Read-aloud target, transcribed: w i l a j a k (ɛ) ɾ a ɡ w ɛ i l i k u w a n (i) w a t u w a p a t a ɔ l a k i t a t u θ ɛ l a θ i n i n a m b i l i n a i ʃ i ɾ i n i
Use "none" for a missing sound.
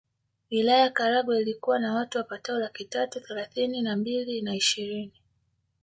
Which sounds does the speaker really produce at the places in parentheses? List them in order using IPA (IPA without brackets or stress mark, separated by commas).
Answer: a, a